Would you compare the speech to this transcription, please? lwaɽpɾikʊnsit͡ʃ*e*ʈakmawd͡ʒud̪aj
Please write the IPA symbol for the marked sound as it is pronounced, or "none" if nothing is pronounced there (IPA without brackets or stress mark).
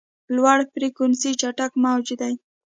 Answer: a